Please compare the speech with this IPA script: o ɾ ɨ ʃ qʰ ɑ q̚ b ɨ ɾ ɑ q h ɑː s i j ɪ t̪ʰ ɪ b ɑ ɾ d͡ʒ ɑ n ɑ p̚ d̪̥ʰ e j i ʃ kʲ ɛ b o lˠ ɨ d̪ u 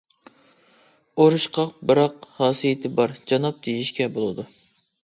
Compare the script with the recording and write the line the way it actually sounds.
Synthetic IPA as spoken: o ɾ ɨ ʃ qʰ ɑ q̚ b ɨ ɾ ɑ q h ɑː s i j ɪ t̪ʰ ɪ b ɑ ɾ d͡ʒ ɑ n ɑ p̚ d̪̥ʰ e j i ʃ kʲ ɛ b o lˠ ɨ d̪ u